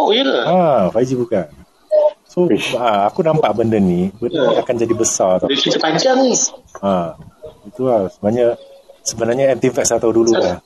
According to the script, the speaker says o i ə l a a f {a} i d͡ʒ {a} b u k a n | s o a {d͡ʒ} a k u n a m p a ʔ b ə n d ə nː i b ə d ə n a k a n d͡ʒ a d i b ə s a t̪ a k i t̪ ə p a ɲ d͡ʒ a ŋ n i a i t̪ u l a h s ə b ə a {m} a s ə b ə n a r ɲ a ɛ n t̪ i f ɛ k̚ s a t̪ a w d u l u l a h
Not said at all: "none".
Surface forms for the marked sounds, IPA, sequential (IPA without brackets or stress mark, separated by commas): a, i, none, ɲ